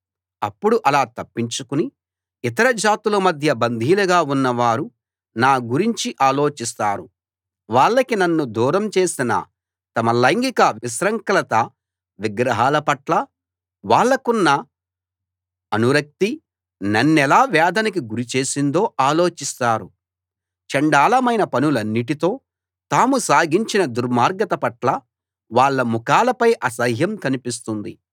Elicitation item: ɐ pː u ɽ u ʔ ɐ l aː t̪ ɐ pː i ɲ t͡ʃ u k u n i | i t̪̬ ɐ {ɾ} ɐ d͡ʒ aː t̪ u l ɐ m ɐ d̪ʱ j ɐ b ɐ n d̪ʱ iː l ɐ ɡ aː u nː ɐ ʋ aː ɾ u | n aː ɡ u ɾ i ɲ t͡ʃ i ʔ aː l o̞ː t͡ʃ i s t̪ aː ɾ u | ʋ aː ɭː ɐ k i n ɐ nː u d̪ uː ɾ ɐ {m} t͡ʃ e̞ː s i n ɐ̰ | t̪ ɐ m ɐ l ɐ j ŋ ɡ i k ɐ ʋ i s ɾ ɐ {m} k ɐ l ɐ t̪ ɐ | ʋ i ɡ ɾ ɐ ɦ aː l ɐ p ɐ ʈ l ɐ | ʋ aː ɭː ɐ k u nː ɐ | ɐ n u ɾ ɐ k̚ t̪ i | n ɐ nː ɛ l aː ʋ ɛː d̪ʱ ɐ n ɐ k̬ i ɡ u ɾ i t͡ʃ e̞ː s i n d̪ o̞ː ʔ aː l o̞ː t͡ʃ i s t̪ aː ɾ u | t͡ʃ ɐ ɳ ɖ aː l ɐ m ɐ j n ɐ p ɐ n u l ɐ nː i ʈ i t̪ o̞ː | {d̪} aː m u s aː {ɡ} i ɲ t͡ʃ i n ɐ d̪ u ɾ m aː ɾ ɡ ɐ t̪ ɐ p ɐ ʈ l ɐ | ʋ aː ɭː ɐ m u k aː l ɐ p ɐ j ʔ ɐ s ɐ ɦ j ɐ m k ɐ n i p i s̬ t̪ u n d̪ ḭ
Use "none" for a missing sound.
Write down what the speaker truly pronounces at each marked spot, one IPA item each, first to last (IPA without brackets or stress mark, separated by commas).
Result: ɾ, m, ŋ, t̪, ɡ